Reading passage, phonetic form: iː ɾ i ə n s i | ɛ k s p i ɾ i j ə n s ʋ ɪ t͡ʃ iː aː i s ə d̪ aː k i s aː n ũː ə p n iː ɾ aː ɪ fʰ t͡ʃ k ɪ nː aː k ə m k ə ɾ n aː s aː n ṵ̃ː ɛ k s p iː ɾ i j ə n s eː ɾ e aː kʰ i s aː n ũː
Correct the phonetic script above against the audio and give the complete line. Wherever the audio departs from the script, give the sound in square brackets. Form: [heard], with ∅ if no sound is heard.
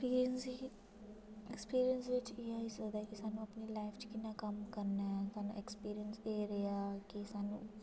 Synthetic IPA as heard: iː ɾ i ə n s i | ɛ k s p [iː] ɾ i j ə n s ʋ ɪ t͡ʃ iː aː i s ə d̪ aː k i s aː n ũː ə p n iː [l] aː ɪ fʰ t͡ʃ k ɪ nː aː k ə m k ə ɾ n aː s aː n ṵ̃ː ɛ k s p iː ɾ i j ə n s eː ɾ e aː [k] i s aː n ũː